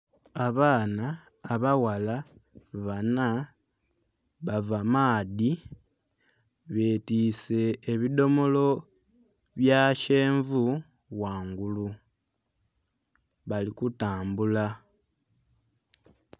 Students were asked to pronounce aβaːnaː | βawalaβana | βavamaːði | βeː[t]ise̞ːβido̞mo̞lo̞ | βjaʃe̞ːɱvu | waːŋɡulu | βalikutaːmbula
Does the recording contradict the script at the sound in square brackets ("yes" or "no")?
no